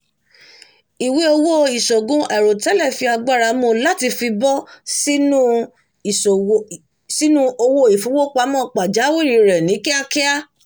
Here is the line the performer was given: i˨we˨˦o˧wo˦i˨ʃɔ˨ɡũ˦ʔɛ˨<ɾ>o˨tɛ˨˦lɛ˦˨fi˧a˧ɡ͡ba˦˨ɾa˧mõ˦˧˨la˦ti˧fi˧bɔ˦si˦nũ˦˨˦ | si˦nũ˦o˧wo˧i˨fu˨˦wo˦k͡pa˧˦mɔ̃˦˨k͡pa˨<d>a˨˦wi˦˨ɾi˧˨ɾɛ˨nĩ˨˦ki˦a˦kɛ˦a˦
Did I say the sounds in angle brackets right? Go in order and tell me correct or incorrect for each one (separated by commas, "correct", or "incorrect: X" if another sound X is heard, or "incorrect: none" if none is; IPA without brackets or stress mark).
correct, incorrect: d͡ʒ